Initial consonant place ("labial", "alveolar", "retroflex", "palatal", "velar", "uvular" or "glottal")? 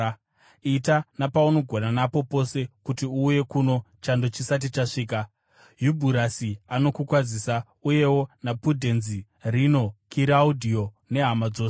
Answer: alveolar